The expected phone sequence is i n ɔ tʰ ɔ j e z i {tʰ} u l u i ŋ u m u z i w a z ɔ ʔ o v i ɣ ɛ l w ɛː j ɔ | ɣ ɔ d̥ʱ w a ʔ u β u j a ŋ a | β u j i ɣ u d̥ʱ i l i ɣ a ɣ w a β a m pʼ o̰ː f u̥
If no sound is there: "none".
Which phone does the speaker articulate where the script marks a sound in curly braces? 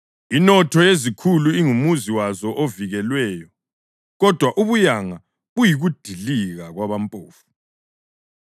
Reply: kʰ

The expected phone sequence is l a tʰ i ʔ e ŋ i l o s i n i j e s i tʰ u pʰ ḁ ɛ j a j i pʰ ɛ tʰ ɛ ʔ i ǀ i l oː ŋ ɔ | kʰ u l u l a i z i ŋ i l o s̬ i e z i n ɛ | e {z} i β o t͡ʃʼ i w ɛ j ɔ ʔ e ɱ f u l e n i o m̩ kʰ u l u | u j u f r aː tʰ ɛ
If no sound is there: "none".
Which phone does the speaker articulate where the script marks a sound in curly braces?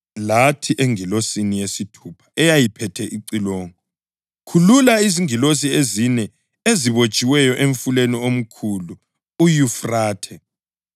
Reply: z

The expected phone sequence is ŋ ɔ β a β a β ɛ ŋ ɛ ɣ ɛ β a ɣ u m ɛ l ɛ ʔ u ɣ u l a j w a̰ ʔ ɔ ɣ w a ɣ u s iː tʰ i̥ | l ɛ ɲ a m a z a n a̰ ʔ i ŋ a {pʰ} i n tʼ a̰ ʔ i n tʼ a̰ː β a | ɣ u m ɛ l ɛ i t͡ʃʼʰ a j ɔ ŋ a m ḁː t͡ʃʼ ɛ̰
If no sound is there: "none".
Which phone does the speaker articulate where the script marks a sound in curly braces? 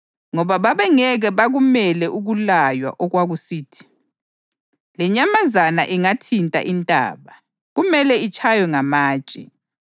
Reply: tʰ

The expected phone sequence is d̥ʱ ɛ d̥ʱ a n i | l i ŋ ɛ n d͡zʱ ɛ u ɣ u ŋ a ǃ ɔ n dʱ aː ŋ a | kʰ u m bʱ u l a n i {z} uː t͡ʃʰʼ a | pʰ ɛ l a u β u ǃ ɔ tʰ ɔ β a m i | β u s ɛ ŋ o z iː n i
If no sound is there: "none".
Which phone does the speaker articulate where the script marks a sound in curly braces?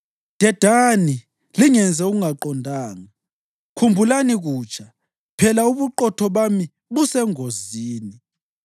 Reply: ɣ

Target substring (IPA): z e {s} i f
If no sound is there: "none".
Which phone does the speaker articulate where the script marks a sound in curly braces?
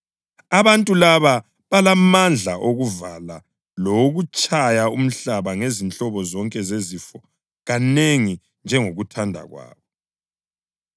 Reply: z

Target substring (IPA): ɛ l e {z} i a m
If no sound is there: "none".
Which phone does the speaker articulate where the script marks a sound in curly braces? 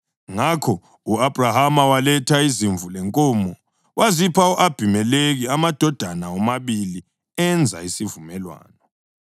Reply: ɣ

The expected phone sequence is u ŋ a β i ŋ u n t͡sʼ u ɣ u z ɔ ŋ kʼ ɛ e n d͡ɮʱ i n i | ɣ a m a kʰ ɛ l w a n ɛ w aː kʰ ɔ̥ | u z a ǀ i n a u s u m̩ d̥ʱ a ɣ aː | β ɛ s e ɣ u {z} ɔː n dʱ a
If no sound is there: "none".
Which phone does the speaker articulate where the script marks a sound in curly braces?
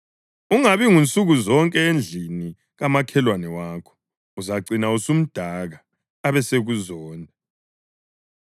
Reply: z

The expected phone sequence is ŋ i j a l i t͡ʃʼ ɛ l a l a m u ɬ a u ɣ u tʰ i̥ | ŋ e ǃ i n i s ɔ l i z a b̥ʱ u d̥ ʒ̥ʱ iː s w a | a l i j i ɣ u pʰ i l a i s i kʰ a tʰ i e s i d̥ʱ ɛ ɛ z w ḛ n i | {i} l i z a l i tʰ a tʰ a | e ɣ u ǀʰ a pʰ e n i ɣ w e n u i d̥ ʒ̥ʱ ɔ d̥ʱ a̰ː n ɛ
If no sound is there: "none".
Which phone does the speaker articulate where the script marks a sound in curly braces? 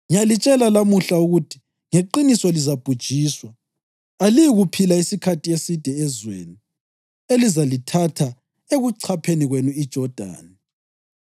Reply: e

